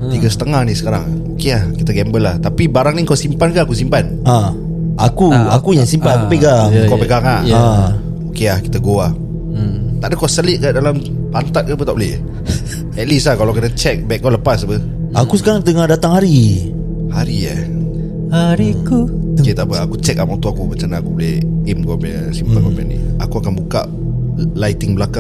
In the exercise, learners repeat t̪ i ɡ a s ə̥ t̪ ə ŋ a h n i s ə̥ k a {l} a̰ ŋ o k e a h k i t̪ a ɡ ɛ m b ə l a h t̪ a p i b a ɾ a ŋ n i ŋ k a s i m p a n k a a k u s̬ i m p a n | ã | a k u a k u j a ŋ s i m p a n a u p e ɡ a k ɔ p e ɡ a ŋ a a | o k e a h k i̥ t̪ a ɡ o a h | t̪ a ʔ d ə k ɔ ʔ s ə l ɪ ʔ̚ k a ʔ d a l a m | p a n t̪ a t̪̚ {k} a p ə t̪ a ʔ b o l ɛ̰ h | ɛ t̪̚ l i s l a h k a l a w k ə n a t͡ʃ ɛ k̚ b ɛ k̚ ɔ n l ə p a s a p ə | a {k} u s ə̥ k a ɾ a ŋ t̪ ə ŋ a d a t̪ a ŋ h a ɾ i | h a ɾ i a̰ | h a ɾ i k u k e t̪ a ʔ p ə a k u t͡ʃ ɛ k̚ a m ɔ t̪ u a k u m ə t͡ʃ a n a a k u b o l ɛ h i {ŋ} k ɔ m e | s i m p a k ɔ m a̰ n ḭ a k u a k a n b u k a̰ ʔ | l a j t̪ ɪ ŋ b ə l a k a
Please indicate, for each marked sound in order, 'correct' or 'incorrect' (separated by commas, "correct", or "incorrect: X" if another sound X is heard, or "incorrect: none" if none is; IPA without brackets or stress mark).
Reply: incorrect: ɾ, correct, correct, incorrect: m